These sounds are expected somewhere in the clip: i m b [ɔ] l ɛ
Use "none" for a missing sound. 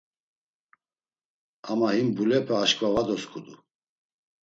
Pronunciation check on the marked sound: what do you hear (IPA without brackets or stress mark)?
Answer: u